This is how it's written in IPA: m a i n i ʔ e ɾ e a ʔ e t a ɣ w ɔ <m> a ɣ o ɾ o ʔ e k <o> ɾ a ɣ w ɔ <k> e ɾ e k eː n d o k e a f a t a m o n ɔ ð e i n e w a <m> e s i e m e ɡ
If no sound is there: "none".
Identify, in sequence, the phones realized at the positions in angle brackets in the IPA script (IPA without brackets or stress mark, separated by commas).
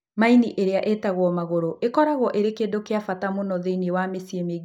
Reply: m, ɔ, ʔ, m